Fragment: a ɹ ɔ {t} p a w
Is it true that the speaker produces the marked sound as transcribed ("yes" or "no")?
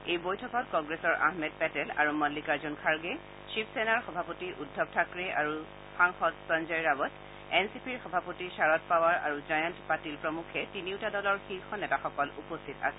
yes